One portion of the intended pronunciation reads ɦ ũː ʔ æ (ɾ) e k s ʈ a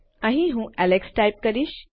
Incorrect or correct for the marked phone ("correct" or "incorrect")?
incorrect